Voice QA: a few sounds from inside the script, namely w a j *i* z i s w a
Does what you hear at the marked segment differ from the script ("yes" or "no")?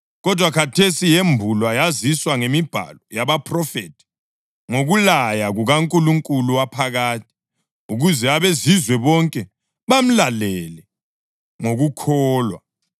yes